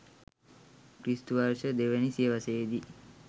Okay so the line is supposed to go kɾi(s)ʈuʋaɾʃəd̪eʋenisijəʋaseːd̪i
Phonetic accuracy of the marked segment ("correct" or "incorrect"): correct